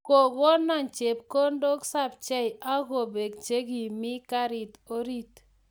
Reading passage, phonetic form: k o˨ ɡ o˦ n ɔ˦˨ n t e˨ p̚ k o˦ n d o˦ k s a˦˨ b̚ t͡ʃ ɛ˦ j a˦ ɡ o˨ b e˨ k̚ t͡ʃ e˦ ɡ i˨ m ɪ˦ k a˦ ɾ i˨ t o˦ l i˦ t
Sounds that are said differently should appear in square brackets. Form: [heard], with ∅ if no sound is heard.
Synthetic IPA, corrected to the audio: k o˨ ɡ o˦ n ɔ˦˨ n [t͡ʃ] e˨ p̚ k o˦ n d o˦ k s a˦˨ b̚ t͡ʃ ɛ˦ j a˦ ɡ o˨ b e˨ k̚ t͡ʃ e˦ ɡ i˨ m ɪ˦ k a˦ ɾ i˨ t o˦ [ɾ] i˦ t

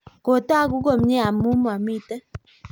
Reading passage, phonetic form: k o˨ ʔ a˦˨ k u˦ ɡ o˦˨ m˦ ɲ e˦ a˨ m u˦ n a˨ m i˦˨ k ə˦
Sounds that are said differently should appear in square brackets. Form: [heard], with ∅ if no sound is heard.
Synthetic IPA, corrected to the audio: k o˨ [t] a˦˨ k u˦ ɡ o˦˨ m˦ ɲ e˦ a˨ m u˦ [m] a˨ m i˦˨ [t] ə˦

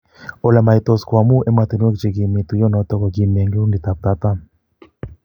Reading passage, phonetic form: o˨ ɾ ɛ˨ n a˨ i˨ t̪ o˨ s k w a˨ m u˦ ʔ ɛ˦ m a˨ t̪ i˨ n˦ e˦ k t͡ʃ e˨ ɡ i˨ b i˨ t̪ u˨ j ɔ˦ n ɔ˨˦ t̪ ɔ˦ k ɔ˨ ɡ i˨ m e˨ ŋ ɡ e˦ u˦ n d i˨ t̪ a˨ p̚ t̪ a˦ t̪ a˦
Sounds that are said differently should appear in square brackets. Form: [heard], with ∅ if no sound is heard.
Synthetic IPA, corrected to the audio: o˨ [l] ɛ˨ [m] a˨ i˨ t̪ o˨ s k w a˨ m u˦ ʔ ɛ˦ m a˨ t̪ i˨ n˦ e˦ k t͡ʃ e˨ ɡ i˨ [m] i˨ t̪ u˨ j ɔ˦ n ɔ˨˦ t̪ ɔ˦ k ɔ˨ ɡ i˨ m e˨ ŋ ɡ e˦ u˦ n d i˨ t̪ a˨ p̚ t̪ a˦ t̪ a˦

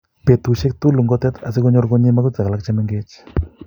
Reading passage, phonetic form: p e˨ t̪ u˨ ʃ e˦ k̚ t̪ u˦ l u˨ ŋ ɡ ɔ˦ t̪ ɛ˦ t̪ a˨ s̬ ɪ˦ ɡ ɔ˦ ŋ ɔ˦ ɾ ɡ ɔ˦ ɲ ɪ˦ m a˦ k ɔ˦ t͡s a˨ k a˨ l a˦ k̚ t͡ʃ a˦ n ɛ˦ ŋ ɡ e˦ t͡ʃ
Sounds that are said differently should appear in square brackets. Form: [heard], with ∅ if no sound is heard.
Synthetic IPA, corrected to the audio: p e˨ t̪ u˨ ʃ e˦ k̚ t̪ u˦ l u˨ ŋ ɡ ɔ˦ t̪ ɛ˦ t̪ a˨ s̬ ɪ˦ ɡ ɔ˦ [ɲ] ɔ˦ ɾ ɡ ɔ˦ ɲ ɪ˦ m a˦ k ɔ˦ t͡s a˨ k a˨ l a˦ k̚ t͡ʃ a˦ [m] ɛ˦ ŋ ɡ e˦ t͡ʃ

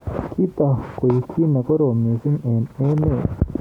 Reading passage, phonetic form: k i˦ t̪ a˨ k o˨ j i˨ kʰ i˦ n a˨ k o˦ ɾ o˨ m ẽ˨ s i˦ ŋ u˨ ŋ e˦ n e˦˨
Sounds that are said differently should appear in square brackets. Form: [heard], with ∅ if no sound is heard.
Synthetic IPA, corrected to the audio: k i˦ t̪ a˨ k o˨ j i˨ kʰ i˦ n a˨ k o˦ ɾ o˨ m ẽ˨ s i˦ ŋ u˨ [n] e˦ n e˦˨

